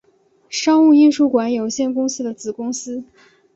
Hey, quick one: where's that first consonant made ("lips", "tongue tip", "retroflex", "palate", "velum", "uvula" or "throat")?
retroflex